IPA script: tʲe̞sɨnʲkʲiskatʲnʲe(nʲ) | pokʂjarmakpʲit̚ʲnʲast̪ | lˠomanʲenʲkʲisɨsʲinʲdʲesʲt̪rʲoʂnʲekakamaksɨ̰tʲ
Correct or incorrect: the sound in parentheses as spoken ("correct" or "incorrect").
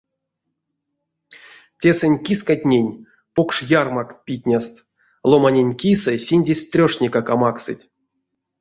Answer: correct